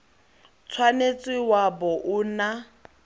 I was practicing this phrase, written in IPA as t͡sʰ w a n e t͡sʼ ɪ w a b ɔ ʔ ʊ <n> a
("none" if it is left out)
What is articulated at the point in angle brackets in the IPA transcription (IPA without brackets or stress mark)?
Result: n